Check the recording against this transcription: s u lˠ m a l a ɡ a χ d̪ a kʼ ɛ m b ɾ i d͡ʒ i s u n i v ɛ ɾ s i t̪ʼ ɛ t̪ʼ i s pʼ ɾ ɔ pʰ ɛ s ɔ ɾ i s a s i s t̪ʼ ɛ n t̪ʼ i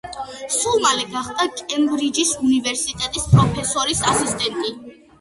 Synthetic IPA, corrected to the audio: s u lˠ m a l ɛ ɡ a χ d̪ a kʼ ɛ m b ɾ i d͡ʒ i s u n i v ɛ ɾ s i t̪ʼ ɛ t̪ʼ i s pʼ ɾ ɔ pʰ ɛ s ɔ ɾ i s a s i s t̪ʼ ɛ n t̪ʼ i